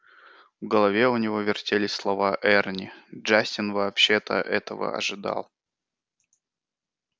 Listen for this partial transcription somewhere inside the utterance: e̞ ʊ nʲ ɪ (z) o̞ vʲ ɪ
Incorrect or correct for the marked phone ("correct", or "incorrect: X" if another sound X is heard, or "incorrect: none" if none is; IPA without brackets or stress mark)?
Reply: incorrect: v